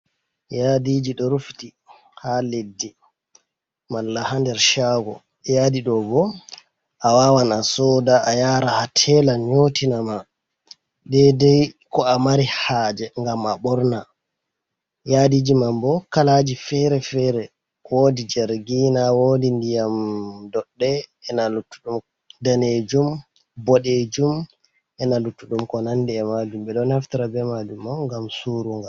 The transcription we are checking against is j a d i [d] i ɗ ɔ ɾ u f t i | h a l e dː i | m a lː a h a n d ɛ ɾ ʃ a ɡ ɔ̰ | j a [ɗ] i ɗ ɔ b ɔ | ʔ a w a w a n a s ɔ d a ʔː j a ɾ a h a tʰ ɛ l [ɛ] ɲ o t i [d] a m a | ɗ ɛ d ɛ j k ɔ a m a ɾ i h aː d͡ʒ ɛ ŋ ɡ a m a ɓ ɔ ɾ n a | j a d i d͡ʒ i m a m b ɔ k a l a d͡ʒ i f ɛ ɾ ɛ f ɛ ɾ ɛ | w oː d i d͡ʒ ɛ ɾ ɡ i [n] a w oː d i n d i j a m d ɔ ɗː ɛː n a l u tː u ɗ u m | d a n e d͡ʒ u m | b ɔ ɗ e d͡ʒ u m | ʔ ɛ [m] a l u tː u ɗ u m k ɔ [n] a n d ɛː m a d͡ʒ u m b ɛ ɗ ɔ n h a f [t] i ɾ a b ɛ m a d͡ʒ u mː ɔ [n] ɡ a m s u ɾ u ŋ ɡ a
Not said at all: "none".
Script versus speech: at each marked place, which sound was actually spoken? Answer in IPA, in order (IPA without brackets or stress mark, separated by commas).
d͡ʒ, d, a, n, n, n, n, t, ŋ